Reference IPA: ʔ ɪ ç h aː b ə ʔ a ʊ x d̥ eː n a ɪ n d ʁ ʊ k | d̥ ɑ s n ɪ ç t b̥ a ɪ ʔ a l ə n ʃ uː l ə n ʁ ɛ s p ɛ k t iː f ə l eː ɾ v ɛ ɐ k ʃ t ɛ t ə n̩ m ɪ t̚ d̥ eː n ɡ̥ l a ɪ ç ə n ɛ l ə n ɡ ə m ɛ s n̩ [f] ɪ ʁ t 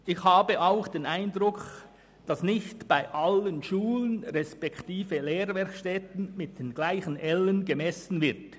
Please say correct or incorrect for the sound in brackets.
incorrect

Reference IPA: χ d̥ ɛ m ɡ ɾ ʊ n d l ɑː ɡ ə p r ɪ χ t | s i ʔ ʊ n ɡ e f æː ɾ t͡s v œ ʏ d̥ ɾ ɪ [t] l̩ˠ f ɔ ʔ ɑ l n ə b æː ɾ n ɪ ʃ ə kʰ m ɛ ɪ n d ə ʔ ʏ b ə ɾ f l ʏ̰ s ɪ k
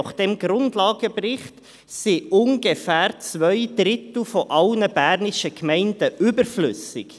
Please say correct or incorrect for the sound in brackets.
correct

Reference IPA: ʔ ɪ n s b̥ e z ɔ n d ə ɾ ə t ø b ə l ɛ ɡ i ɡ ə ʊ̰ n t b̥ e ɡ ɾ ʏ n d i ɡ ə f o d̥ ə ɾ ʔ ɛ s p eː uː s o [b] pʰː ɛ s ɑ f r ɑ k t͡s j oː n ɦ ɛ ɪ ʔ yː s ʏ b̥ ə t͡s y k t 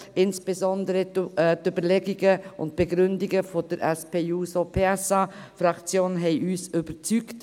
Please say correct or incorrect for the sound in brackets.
incorrect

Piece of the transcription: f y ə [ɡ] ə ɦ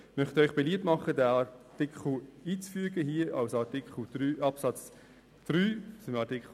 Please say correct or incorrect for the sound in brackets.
correct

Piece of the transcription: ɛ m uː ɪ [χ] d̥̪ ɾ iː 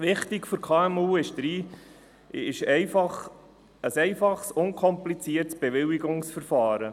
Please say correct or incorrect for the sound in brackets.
incorrect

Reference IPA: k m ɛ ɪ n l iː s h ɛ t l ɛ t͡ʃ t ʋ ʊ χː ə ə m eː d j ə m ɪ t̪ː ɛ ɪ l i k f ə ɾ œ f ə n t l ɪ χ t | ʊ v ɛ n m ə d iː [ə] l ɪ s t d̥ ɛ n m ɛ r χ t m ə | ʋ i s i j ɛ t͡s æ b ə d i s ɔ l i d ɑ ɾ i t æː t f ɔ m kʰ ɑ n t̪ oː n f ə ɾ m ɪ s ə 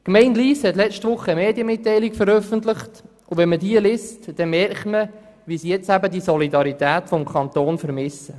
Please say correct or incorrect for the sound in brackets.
correct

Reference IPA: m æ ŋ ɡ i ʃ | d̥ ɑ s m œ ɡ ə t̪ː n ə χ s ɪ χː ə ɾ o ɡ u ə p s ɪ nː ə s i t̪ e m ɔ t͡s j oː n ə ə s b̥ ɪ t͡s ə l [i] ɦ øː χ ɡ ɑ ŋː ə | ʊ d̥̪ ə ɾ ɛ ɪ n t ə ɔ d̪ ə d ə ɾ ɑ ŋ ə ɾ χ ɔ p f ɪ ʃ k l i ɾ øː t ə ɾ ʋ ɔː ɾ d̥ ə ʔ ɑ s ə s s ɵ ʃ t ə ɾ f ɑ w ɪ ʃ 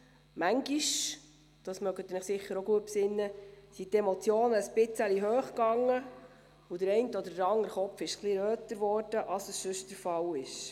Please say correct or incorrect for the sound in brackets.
correct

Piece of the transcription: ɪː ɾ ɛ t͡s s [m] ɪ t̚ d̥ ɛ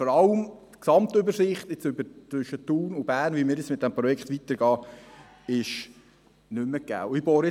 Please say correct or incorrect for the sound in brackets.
correct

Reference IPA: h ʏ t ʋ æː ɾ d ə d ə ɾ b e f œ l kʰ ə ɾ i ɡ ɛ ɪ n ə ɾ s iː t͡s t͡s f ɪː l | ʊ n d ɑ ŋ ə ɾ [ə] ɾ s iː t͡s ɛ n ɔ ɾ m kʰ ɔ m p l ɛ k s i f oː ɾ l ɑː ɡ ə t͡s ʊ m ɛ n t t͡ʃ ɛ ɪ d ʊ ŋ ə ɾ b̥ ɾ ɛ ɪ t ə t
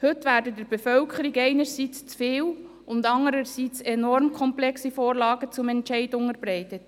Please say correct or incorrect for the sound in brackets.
correct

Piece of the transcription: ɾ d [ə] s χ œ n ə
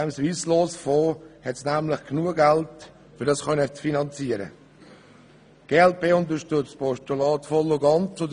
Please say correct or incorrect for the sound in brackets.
incorrect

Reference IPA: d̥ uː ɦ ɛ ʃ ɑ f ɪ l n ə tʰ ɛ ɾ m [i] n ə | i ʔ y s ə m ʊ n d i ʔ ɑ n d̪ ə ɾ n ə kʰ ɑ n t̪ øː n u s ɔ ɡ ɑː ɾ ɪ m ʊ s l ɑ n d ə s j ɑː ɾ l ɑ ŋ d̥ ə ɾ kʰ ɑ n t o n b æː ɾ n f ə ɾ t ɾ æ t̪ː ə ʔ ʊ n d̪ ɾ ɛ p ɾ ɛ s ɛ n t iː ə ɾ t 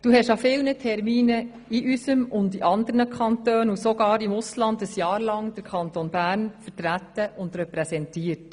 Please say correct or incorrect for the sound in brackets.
incorrect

